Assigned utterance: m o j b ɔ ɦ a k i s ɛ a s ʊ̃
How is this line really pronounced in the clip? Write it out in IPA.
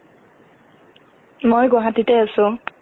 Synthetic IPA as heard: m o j ɡ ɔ ɦ a t i t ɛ a s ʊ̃